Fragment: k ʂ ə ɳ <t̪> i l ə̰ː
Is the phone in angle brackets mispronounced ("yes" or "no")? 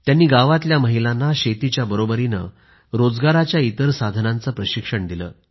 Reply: yes